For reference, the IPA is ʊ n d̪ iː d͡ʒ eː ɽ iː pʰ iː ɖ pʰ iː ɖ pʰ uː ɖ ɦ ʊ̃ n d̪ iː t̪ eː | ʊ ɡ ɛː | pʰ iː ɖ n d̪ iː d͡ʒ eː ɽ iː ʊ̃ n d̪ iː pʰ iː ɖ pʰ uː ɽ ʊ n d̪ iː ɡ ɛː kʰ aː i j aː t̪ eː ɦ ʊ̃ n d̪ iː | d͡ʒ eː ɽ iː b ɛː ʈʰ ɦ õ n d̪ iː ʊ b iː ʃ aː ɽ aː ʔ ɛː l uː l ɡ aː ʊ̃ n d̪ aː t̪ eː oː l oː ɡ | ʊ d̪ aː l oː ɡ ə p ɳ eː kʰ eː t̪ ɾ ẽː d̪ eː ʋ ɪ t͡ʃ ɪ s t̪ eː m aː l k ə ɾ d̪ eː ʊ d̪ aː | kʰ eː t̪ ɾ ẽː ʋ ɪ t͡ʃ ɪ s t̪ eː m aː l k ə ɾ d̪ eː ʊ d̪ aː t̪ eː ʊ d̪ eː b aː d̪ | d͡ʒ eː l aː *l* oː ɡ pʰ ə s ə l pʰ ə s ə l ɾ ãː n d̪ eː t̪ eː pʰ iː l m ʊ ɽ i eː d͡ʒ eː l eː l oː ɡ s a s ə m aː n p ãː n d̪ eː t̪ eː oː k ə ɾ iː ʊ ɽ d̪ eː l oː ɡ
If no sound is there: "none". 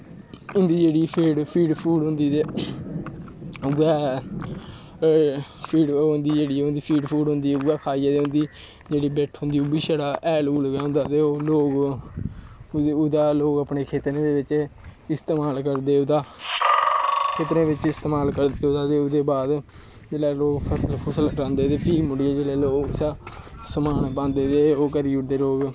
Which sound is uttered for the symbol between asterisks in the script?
l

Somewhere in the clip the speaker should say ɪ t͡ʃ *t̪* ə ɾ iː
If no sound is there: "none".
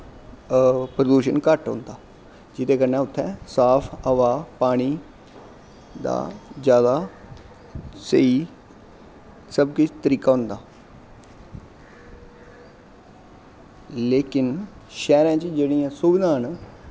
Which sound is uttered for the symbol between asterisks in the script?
t̪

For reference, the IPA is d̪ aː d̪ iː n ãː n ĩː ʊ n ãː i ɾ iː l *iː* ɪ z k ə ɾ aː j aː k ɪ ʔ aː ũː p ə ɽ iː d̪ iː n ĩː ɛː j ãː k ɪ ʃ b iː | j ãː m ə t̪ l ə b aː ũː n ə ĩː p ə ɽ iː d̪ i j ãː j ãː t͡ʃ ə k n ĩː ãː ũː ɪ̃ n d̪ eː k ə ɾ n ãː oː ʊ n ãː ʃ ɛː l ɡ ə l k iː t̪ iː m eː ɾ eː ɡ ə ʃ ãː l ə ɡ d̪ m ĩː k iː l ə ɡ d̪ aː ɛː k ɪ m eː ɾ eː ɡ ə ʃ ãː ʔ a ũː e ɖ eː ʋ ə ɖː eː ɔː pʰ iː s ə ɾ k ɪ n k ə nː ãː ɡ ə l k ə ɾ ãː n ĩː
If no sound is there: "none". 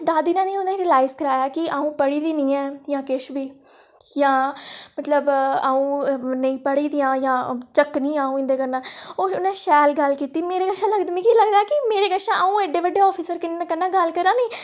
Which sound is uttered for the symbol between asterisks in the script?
aː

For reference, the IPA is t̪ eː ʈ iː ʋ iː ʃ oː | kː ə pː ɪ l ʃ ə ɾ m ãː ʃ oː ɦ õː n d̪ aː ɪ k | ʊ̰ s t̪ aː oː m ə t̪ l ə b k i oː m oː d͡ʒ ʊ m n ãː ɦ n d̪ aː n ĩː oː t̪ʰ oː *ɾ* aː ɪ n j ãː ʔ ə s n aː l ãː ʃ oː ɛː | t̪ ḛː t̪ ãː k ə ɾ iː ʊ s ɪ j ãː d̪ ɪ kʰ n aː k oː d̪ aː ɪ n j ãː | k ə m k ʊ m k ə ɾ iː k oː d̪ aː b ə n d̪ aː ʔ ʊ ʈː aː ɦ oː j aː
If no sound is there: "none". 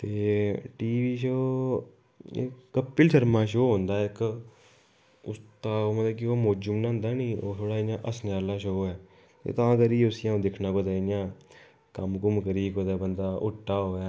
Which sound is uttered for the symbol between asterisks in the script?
ɽ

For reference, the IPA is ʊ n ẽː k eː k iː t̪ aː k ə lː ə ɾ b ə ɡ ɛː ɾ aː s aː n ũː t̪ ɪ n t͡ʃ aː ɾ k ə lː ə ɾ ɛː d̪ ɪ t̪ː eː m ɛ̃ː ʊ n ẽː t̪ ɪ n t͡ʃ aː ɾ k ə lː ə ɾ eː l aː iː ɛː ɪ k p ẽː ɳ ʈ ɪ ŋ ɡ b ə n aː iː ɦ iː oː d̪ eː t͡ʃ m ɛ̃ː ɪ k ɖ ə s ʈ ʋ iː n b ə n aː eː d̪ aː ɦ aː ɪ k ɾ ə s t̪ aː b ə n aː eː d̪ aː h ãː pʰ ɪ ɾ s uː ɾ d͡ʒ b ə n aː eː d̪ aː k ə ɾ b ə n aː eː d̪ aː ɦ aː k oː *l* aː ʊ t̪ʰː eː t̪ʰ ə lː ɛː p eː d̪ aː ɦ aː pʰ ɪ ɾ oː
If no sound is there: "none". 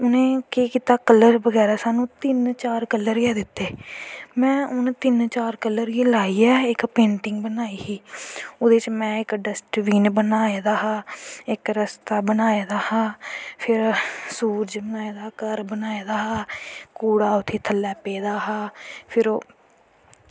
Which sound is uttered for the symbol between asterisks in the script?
ɽ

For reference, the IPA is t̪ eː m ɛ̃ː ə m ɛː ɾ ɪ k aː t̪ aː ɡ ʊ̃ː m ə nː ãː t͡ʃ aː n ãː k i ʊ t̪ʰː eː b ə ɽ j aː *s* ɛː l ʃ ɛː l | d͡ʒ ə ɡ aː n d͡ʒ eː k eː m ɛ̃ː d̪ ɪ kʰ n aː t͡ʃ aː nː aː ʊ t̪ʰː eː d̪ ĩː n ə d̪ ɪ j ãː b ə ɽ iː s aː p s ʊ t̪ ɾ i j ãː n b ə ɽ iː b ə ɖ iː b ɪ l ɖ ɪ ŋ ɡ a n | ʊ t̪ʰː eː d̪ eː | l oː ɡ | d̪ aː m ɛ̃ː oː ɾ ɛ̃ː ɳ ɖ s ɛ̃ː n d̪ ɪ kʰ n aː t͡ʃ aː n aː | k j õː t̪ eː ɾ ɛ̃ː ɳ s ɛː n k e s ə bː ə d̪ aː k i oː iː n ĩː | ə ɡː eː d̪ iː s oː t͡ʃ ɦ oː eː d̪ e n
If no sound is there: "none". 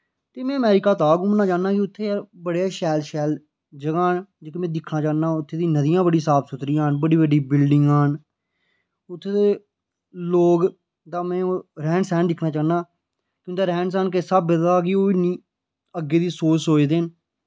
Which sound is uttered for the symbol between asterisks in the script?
ʃ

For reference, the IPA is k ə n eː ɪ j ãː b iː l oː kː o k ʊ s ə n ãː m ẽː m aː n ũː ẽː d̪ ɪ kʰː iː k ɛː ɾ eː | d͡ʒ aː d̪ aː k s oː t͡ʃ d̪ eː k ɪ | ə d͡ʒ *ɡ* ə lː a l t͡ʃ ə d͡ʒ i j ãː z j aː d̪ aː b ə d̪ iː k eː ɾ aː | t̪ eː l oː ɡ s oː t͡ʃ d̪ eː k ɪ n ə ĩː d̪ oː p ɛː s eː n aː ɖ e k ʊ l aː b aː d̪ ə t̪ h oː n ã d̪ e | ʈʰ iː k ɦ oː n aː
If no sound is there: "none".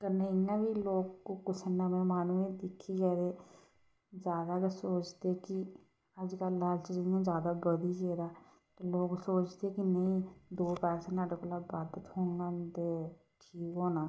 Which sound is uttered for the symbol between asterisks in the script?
k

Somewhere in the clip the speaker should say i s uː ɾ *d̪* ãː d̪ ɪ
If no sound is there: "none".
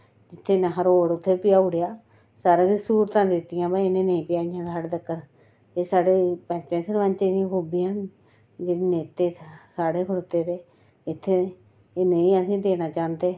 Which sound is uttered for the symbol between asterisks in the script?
t̪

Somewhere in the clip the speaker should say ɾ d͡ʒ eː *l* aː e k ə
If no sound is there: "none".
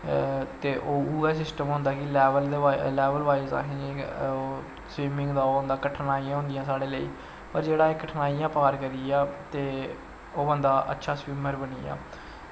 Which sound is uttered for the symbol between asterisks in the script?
ɽ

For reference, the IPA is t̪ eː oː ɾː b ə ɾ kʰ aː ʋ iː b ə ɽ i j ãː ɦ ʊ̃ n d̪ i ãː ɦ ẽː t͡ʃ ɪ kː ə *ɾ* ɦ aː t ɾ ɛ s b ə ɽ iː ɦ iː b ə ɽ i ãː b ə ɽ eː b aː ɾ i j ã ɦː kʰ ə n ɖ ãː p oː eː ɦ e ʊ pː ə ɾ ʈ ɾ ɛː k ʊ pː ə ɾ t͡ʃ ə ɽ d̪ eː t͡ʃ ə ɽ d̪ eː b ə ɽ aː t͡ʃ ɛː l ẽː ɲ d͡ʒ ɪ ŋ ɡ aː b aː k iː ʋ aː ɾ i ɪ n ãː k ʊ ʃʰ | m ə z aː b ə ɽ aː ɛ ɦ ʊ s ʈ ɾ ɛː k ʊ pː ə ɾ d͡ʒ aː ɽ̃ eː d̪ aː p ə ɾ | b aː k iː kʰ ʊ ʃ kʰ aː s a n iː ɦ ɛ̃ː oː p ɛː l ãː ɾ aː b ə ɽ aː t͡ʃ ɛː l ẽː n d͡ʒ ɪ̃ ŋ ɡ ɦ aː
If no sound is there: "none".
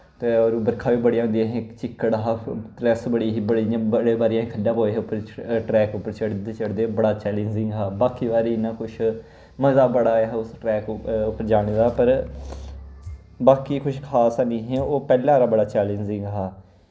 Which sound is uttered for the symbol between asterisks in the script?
ɽ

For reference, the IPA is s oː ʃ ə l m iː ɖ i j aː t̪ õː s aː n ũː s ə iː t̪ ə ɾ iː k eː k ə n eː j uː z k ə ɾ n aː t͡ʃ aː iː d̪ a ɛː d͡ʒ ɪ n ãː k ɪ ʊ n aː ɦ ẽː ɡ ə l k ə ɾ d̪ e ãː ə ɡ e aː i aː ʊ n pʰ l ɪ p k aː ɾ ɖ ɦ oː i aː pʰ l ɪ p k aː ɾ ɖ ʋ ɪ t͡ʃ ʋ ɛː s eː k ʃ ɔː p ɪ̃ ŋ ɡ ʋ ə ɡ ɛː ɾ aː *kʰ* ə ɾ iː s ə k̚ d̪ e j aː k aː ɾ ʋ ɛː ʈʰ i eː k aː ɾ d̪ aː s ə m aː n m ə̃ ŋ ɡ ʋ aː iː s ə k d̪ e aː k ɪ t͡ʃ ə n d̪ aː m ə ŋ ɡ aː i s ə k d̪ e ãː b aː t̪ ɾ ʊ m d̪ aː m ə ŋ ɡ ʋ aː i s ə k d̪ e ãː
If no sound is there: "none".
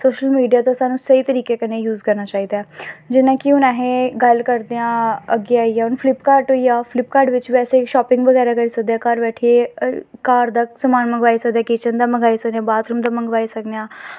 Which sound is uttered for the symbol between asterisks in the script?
k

